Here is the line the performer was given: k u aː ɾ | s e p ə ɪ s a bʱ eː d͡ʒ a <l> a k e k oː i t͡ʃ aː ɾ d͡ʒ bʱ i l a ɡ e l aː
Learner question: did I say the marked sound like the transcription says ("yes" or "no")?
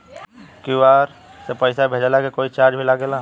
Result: yes